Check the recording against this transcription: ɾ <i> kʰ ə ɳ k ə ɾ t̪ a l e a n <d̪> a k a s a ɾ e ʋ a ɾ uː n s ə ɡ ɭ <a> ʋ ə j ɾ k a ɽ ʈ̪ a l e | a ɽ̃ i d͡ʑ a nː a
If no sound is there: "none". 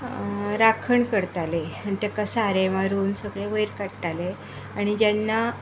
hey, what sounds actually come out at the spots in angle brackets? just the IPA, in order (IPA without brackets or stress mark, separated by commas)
a, t̪, e